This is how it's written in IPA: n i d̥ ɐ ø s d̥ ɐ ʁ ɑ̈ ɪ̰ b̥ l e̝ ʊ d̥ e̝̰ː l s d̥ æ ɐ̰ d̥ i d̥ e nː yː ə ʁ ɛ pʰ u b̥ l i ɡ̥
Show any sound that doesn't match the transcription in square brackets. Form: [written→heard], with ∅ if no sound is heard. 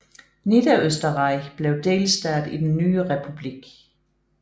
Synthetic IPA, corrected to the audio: n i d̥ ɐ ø s d̥ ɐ ʁ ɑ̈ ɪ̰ b̥ l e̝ ʊ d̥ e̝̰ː l s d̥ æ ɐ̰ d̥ i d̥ e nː yː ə ʁ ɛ pʰ u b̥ l i ɡ̥

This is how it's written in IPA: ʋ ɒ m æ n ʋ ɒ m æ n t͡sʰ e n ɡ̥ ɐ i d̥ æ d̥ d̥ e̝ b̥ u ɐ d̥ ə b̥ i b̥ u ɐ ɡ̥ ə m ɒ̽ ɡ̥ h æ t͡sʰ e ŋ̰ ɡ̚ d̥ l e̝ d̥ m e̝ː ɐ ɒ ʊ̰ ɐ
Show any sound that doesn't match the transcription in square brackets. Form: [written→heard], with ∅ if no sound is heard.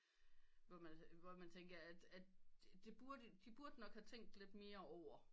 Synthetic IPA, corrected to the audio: ʋ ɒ m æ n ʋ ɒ m æ n t͡sʰ e [n→ŋ] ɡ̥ ɐ [i→æ] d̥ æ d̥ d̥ e̝ b̥ u ɐ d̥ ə [b̥→d̥] i b̥ u ɐ [ɡ̥→d̥] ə [m→n] ɒ̽ ɡ̥ h æ t͡sʰ e ŋ̰ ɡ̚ d̥ l e̝ d̥ m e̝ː ɐ ɒ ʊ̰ ɐ

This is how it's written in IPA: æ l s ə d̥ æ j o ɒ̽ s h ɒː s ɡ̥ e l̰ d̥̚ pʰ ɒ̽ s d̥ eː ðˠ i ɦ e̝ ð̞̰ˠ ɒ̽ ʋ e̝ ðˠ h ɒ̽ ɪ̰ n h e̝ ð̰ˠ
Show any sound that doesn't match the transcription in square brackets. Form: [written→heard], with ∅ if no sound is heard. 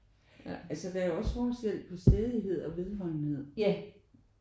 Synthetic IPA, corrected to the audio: æ l s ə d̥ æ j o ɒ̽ s [h→f] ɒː s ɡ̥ e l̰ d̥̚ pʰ ɒ̽ s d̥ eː ðˠ i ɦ e̝ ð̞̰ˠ ɒ̽ ʋ e̝ ðˠ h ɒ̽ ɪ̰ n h e̝ ð̰ˠ

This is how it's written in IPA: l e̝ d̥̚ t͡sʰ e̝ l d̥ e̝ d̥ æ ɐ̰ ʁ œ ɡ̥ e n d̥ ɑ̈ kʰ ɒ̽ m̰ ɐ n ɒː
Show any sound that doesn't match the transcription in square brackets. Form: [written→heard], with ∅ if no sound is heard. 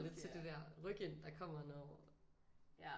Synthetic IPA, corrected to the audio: l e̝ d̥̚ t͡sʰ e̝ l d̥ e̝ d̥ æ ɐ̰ ʁ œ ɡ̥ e n d̥ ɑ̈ kʰ ɒ̽ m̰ ɐ n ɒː

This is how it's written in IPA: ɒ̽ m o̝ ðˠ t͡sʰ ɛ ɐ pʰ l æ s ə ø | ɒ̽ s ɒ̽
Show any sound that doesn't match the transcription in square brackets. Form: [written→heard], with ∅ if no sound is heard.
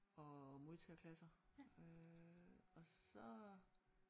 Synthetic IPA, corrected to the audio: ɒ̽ m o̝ ðˠ t͡sʰ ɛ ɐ [pʰ→kʰ] l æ s [ə→ɐ] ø | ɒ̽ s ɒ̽

